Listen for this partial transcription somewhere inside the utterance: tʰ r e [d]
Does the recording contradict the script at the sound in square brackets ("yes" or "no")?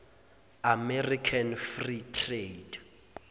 no